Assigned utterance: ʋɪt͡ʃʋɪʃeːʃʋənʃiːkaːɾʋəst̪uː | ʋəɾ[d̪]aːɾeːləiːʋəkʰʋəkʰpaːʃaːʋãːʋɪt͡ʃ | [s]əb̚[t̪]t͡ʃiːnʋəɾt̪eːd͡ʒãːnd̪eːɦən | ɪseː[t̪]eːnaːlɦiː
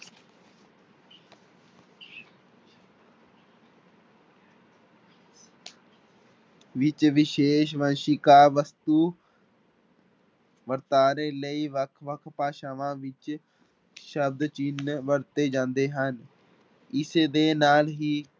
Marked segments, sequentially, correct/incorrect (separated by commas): incorrect, incorrect, incorrect, incorrect